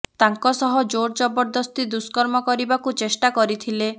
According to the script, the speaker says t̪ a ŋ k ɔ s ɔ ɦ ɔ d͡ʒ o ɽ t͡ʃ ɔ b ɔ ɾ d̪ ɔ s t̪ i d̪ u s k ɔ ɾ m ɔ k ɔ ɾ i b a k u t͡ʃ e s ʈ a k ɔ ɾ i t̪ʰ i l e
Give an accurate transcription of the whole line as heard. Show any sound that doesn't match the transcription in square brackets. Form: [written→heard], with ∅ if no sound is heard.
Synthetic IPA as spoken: t̪ a ŋ k ɔ s ɔ ɦ ɔ d͡ʒ o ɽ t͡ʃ ɔ b ɔ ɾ d̪ ɔ s t̪ i d̪ u s k ɔ ɾ m ɔ k ɔ ɾ i b a k u t͡ʃ e s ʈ a k ɔ ɾ i t̪ʰ i l e